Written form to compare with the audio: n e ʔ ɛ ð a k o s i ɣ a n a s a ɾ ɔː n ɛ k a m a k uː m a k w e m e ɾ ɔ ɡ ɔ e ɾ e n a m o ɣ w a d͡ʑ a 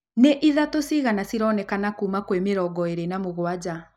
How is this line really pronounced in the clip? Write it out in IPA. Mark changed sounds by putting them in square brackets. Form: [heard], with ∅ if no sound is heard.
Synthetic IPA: n e ʔ [i] ð a [t] o s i ɣ a n a s [i] ɾ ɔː n ɛ k a [n] a k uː m a k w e m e ɾ ɔ ɡ ɔ e ɾ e n a m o ɣ w a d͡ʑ a

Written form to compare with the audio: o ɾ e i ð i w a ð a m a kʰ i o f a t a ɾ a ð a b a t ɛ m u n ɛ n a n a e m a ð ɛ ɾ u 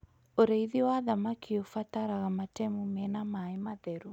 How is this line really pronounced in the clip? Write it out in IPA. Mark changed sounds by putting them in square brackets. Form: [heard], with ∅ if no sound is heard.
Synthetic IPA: o ɾ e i ð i w a ð a m a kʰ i o f a t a ɾ a [ɣ] a [m] a t ɛ m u [m] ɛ n a [m] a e m a ð ɛ ɾ u

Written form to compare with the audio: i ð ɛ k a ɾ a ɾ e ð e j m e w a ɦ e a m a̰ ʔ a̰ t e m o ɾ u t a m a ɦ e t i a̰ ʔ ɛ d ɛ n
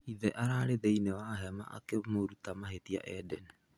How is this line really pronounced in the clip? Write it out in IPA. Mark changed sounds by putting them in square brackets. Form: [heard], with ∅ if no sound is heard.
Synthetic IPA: i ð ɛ [ʔ] a ɾ a ɾ e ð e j [n] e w a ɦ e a m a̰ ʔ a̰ [k] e m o ɾ u t a m a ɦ e t i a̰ ʔ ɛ d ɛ n

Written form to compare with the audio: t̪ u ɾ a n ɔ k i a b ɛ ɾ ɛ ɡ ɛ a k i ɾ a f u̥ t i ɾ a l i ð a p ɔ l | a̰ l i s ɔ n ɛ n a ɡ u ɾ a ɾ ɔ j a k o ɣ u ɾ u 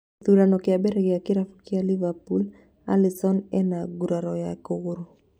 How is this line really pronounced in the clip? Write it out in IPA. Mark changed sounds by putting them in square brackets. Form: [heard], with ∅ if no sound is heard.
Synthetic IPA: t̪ u ɾ a n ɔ k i a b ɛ ɾ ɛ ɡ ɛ a k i ɾ a f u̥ [k] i [∅] a l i [v] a p [u] l | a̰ l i s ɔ n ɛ n a ɡ u ɾ a ɾ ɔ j a k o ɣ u ɾ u

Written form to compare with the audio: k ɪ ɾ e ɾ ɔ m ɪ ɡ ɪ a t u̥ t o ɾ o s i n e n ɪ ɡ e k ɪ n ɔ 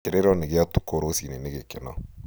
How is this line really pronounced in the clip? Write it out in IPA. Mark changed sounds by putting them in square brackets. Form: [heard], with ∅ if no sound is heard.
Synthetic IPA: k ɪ ɾ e ɾ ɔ [n] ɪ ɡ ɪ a t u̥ [k] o ɾ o s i n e n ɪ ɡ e k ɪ n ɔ

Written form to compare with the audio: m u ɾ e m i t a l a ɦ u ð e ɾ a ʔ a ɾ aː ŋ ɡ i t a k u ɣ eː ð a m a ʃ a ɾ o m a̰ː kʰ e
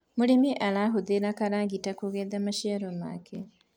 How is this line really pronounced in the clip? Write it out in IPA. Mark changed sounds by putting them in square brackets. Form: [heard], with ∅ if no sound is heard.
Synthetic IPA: m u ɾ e m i [ʔ] a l a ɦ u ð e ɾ a [k] a ɾ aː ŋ ɡ i t a k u ɣ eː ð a m a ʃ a ɾ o m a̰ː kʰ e

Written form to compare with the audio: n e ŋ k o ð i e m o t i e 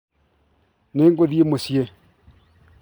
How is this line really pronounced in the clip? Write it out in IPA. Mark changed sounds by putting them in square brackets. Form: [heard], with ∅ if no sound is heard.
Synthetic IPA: n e ŋ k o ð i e m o [s] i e

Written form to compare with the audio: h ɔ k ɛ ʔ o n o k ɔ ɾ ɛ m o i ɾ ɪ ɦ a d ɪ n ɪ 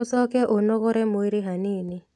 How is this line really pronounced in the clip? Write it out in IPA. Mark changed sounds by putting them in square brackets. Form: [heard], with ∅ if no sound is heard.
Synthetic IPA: [s] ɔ k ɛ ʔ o n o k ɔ ɾ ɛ m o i ɾ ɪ ɦ a [n] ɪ n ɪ

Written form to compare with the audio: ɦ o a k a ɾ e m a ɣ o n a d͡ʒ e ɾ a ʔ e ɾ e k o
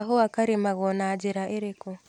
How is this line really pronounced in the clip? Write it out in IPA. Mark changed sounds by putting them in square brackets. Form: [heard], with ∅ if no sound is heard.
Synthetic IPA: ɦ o a k a ɾ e m a ɣ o n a d͡ʒ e ɾ a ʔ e ɾ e k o

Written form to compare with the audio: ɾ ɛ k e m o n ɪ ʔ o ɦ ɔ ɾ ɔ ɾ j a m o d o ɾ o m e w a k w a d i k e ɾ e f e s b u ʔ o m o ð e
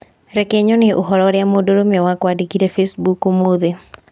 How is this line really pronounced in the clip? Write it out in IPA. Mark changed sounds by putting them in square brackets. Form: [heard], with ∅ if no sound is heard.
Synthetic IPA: ɾ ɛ k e [ɲ] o n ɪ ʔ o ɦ ɔ ɾ ɔ ɾ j a m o d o ɾ o m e w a k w a d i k [i] ɾ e f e s b u [k] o m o ð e

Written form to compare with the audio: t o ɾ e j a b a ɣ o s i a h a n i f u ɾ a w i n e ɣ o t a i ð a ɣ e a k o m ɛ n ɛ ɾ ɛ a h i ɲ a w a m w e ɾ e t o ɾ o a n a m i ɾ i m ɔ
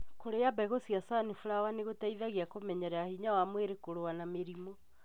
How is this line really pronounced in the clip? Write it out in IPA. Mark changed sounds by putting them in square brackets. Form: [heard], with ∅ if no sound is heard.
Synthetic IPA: [k] o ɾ e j a b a ɣ o s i a [s] a n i f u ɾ a w [a] n e ɣ o t a i ð a ɣ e a k o m ɛ [ɲ] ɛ ɾ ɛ a h i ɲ a w a m w e ɾ e [k] o ɾ o a n a m [e] ɾ i m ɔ

